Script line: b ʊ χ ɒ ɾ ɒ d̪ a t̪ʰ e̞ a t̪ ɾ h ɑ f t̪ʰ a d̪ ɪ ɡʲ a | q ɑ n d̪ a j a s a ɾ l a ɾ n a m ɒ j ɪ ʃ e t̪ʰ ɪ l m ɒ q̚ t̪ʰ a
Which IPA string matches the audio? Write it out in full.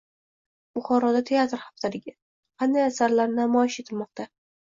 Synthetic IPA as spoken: b ʊ χ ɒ ɾ ɒ d̪ a t̪ʰ e̞ a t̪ ɾ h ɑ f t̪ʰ a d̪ ɪ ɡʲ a | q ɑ n d̪ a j a s a ɾ l a ɾ n a m ɒ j ɪ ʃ e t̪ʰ ɪ l m ɒ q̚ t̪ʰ a